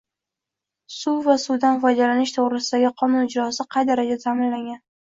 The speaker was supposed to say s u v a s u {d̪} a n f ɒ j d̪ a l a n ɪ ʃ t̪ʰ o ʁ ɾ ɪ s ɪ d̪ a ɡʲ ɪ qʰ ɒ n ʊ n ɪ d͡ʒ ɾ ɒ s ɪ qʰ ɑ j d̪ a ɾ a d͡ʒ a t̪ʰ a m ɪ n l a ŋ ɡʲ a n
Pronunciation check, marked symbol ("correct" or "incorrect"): correct